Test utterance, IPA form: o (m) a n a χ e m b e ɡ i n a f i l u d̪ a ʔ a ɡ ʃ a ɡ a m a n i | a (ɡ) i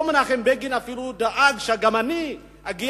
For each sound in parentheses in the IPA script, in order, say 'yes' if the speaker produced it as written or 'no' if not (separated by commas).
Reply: yes, yes